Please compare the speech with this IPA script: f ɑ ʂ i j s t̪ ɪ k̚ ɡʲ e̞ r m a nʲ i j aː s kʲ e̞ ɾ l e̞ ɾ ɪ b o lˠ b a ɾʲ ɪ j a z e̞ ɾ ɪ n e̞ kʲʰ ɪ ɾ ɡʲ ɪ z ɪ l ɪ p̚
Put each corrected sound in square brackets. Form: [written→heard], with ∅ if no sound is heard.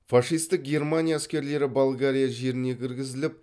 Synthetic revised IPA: f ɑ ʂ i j s t̪ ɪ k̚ ɡʲ e̞ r m a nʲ i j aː s kʲ e̞ ɾ l e̞ ɾ ɪ b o lˠ [b→ɡ] a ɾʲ [ɪ→i] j a [z→ʒ] e̞ ɾ ɪ n e̞ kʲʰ ɪ ɾ ɡʲ ɪ z ɪ l ɪ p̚